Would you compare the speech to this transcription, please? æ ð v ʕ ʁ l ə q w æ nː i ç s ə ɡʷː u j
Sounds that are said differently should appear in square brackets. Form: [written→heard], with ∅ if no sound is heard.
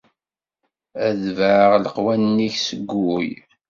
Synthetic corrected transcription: æ ð v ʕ ʁ l ə q w æ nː i ç s ə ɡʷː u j